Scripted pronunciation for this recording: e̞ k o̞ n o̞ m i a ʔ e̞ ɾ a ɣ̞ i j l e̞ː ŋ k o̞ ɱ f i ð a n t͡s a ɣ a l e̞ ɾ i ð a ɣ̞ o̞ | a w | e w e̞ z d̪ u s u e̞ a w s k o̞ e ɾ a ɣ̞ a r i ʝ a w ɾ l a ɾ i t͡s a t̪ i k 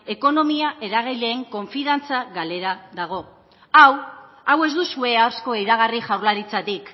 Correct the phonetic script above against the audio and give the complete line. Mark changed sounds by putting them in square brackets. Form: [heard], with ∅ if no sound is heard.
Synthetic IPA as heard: e̞ k o̞ n o̞ m i a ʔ e̞ ɾ a ɣ̞ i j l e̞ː ŋ k o̞ ɱ f i ð a n t͡s a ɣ a l e̞ ɾ [a] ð a ɣ̞ o̞ | a w | [a] w e̞ z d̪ u s u e̞ a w s k o̞ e ɾ a ɣ̞ a r i ʝ a w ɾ l a ɾ i t͡s a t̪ i k